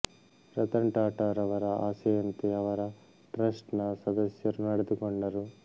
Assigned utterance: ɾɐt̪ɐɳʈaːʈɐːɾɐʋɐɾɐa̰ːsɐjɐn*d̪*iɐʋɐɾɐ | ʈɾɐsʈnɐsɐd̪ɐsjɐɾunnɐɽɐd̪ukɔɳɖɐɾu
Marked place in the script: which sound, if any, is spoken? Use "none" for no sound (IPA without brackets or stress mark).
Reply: t̪